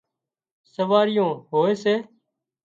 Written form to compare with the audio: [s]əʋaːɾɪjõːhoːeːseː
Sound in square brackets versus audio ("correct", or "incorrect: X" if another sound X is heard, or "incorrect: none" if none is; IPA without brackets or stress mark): correct